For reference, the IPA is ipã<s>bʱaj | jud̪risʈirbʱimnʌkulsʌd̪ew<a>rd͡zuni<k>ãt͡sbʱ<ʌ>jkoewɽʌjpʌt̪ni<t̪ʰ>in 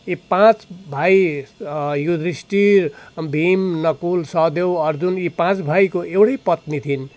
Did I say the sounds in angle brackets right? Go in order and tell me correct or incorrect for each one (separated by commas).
incorrect, incorrect, incorrect, incorrect, correct